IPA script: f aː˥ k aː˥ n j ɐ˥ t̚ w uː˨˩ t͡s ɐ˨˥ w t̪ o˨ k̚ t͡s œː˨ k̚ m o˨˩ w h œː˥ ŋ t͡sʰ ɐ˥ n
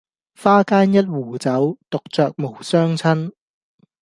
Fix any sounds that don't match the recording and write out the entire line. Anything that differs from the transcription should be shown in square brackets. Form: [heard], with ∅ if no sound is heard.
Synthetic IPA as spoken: f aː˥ k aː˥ n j ɐ˥ t̚ w uː˨˩ t͡s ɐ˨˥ w t̪ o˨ k̚ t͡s œː˨ k̚ m o˨˩ w [s] œː˥ ŋ t͡sʰ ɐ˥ n